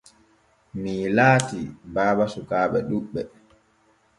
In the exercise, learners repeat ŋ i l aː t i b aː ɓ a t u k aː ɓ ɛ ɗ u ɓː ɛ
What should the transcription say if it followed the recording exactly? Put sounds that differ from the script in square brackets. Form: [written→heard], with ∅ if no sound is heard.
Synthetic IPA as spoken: [ŋ→m] i l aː t i b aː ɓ a [t→s] u k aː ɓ ɛ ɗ u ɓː ɛ

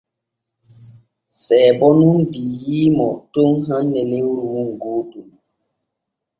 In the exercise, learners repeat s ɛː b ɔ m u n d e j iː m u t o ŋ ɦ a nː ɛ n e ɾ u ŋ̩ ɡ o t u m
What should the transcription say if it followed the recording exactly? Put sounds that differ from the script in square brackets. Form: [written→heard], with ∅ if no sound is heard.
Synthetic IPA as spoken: s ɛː b ɔ [m→n] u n d [e→i] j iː m [u→ɔ] t o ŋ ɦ a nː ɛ n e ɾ u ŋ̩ ɡ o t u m

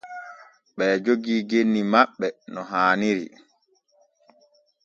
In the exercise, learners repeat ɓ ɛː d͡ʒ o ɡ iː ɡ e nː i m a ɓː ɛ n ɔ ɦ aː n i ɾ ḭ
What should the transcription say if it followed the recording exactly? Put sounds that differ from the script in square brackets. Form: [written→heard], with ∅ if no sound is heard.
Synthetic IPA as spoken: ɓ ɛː d͡ʒ o ɡ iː ɡ e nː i m a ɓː ɛ n ɔ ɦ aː n i ɾ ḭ

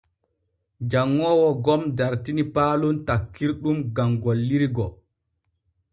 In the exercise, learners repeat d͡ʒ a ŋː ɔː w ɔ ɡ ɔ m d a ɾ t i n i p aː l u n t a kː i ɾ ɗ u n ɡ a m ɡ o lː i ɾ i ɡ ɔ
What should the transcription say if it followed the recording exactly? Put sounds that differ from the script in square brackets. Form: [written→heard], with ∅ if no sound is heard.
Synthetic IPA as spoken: d͡ʒ a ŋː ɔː w ɔ ɡ ɔ m d a ɾ t i n i p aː l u n t a kː i ɾ ɗ u [n→m] ɡ a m ɡ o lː i ɾ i ɡ ɔ

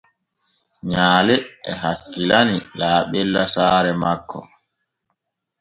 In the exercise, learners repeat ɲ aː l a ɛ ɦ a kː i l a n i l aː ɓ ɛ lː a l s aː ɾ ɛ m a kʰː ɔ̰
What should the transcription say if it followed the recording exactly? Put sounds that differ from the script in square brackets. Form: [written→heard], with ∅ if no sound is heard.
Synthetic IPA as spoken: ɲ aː l [a→ɛ] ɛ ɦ a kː i l a n i l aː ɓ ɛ lː a [l→∅] s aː ɾ ɛ m a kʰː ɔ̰

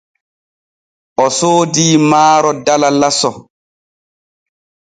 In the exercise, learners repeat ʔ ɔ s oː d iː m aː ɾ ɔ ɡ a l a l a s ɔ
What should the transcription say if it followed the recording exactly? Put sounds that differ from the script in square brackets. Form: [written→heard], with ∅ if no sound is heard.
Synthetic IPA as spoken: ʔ ɔ s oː d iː m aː ɾ ɔ [ɡ→d] a l a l a s ɔ

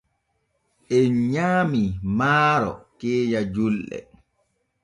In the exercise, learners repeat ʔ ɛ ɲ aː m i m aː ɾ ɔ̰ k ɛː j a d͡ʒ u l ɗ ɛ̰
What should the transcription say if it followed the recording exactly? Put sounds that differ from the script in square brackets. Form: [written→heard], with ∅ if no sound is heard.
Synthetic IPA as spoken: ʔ ɛ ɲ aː m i m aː ɾ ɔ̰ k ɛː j a d͡ʒ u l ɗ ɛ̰

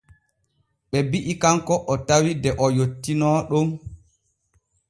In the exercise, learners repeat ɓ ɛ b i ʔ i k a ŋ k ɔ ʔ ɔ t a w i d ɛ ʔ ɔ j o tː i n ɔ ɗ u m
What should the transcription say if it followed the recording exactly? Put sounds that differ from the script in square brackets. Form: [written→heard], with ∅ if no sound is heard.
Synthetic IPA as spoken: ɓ ɛ b i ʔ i k a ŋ k ɔ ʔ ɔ t a w i d ɛ ʔ ɔ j o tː i n ɔ ɗ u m

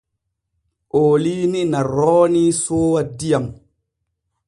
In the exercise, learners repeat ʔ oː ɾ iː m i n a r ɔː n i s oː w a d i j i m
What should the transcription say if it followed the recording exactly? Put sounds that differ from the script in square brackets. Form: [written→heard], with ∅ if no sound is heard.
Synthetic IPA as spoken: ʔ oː [ɾ→l] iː [m→n] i n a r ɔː n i s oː w a d i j [i→a] m

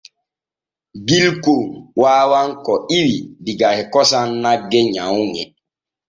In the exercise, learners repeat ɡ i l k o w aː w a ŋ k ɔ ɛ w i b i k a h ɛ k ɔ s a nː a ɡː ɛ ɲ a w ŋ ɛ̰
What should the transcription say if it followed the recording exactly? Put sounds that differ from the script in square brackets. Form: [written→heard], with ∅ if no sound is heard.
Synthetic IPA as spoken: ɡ i l k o w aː w a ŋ k ɔ [ɛ→i] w i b i [k→ɡ] a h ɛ k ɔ s a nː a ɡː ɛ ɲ a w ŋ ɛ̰

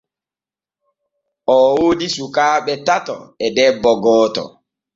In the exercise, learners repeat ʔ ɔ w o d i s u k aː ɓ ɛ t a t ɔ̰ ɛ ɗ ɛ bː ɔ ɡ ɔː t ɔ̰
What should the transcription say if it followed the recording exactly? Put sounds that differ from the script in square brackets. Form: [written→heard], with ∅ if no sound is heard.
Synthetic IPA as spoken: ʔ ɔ w o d i s u k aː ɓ ɛ t a t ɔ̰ ɛ [ɗ→d] ɛ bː ɔ ɡ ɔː t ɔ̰

